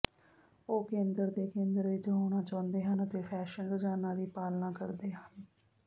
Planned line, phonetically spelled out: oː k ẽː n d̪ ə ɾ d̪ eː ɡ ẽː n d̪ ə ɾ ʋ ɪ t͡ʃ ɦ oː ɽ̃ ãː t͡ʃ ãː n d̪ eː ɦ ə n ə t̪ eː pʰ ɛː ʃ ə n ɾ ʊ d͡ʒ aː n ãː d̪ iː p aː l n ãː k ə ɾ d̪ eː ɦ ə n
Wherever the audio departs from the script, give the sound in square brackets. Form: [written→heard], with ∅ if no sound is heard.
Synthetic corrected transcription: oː k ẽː n d̪ ə ɾ d̪ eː [ɡ→k] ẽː n d̪ ə ɾ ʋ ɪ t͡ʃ ɦ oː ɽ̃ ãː t͡ʃ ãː n d̪ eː ɦ ə n ə t̪ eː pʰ ɛː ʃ ə n ɾ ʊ d͡ʒ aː n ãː d̪ iː p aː l n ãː k ə ɾ d̪ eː ɦ ə n